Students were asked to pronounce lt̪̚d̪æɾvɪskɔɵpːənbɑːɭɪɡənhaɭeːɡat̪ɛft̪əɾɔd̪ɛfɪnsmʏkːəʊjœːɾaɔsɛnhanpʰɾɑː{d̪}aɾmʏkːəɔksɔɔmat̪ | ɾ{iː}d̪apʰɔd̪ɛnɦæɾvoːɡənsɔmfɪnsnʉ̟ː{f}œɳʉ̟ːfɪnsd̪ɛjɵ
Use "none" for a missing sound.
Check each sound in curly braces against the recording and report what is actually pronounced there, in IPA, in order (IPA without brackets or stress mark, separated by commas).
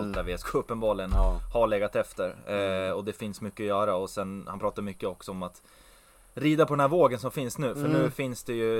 t̪, iː, f